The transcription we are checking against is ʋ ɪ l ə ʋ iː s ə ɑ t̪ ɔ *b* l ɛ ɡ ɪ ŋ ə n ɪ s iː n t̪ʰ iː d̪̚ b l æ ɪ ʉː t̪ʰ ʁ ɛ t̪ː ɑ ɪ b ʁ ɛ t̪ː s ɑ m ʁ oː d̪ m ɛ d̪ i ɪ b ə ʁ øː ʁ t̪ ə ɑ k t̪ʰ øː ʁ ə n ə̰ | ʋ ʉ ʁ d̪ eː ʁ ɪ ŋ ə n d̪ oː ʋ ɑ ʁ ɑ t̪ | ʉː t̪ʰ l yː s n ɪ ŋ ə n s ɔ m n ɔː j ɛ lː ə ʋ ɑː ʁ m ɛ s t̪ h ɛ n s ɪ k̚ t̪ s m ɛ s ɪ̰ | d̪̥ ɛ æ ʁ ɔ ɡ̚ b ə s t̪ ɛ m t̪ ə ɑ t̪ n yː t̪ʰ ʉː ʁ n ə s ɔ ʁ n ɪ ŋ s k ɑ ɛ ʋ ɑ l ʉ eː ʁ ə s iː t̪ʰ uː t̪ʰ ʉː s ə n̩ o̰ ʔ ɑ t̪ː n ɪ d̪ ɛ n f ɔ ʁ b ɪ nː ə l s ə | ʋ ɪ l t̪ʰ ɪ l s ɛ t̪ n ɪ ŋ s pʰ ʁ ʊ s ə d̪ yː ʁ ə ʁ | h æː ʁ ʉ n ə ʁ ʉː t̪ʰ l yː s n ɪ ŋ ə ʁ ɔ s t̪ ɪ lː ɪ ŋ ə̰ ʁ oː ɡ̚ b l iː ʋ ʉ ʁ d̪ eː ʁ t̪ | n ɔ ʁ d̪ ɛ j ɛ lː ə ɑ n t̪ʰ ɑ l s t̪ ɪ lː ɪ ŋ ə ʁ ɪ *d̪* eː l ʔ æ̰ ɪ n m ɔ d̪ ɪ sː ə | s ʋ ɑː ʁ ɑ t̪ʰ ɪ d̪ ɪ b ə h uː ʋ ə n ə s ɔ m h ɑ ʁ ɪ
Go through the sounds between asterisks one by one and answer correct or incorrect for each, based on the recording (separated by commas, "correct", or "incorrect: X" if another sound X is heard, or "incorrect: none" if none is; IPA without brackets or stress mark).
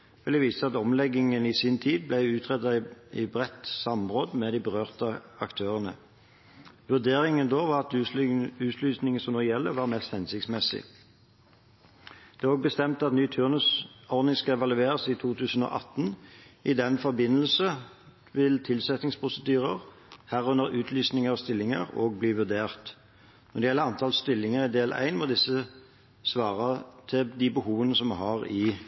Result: incorrect: m, correct